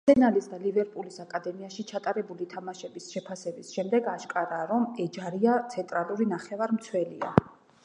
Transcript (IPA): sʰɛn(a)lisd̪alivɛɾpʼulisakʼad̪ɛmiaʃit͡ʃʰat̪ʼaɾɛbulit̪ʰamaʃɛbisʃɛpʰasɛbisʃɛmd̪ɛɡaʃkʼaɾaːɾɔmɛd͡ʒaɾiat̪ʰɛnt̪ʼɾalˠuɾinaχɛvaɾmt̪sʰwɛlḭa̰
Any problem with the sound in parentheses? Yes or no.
no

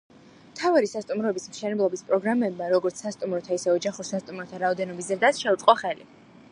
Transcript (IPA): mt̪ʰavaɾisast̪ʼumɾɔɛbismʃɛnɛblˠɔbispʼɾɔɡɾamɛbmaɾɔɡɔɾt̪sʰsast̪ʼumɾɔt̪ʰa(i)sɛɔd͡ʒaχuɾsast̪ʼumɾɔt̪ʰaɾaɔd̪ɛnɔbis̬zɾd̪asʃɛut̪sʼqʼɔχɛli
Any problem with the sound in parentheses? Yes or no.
no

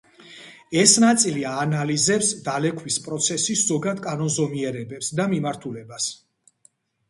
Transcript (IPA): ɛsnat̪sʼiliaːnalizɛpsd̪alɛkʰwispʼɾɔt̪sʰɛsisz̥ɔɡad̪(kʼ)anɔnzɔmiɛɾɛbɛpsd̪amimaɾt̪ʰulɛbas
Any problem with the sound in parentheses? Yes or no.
no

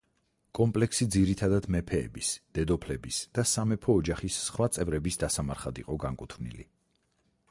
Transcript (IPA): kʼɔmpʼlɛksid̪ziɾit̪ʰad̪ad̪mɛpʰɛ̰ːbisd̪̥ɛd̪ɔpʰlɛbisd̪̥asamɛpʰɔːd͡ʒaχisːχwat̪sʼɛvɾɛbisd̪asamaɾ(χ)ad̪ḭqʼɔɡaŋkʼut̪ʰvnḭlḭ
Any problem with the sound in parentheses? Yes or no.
no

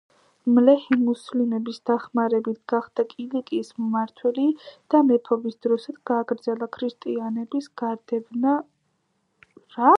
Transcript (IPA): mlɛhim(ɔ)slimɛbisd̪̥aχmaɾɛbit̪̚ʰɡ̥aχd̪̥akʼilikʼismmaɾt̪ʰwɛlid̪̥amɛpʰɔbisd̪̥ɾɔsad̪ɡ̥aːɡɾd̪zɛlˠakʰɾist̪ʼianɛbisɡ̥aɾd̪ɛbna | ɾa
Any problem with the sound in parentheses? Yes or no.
yes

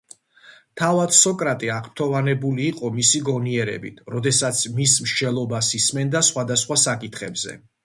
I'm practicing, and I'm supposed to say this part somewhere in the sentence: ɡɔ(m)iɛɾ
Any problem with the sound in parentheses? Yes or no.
yes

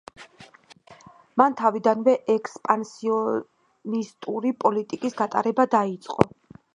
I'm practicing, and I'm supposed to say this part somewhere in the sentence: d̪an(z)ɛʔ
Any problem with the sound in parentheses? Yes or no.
yes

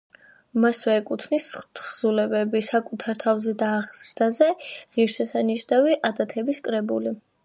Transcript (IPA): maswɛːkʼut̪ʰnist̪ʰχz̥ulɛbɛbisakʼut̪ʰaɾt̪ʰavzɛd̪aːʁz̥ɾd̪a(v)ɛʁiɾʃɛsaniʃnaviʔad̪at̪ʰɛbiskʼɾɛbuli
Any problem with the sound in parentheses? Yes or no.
yes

